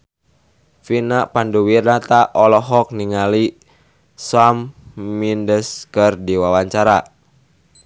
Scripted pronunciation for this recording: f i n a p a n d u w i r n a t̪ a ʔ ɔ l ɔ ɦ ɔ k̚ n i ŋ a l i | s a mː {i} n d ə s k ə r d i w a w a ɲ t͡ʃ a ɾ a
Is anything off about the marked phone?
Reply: no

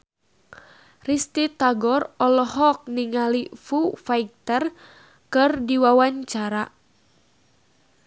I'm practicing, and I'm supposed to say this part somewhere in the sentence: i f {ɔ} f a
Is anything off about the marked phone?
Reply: yes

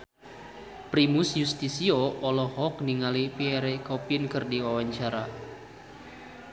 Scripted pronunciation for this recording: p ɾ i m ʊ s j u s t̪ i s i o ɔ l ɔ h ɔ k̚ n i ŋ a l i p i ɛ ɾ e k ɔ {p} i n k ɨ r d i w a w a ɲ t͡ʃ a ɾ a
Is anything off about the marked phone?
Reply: no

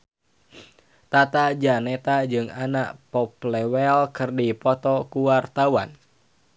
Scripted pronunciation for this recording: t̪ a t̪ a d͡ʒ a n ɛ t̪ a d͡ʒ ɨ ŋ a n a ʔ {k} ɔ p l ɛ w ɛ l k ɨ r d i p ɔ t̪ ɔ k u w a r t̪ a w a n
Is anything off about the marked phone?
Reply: yes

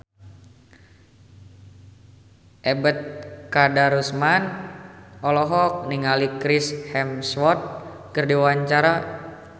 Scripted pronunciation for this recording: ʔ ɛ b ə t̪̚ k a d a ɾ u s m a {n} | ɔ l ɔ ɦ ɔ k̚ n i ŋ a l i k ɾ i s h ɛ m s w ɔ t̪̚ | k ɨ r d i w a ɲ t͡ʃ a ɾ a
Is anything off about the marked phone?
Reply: no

